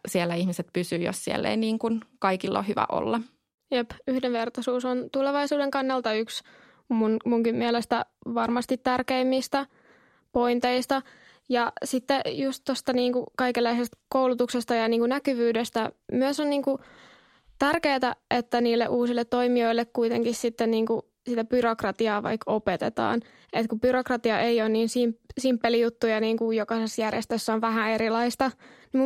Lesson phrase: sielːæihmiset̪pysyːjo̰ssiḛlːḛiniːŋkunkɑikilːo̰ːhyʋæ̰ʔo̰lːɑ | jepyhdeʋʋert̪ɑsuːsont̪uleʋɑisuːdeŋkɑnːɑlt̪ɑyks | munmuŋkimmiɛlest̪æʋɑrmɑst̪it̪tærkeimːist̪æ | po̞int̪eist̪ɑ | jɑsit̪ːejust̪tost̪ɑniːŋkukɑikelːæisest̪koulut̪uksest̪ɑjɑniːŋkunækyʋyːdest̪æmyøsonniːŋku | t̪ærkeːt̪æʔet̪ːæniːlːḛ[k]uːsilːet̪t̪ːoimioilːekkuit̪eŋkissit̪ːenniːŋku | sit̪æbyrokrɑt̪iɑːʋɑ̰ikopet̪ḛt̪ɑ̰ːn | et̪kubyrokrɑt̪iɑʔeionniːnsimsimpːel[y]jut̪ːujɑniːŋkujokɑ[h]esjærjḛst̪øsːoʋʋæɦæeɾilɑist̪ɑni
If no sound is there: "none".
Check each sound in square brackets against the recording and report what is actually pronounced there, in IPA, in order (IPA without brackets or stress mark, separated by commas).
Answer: ʔ, i, s